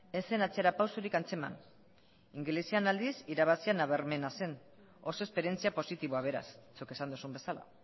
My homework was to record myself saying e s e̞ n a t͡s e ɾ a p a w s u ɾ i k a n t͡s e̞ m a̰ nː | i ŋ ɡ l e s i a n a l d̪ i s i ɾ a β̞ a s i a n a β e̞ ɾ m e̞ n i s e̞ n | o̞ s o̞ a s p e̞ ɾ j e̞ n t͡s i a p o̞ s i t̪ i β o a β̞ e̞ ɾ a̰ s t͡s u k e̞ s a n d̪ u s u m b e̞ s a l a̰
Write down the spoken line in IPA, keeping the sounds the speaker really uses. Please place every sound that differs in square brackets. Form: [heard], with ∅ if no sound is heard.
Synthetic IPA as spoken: e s e̞ n a t͡s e ɾ a p a w s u ɾ i k a n t͡s e̞ m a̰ [n] | i ŋ ɡ l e s i a n a l d̪ i s i ɾ a β̞ a s i a n a β e̞ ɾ m e̞ n [a] s e̞ n | o̞ s o̞ [e] s p e̞ ɾ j e̞ n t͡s i a p o̞ s i t̪ i β o a β̞ e̞ ɾ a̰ s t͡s u k e̞ s a n d̪ u s u m b e̞ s a l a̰